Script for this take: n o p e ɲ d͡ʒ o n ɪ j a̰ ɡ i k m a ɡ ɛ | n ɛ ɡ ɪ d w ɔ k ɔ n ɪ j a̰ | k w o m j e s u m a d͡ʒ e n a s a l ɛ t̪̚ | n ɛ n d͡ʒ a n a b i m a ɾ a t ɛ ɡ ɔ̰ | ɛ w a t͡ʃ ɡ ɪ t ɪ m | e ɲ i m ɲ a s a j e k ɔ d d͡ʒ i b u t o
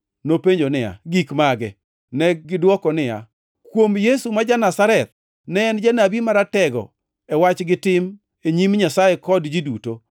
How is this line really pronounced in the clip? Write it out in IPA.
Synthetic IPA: n o p e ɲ d͡ʒ o n ɪ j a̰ ɡ i k m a ɡ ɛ | n ɛ ɡ ɪ d w ɔ k ɔ n ɪ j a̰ | k w o m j e s u m a d͡ʒ a n a s a ɾ ɛ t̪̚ | n ɛ n d͡ʒ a n a b i m a ɾ a t ɛ ɡ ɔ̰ | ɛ w a t͡ʃ ɡ ɪ t ɪ m | e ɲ i m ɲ a s a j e k ɔ d d͡ʒ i d u t o